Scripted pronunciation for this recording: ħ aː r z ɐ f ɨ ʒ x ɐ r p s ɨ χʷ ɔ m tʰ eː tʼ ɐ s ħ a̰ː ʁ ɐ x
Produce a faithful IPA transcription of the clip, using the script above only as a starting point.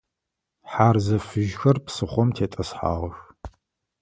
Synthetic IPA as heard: ħ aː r z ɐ f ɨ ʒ x ɐ r p s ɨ χʷ ɔ m tʰ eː tʼ ɐ s ħ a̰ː ʁ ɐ x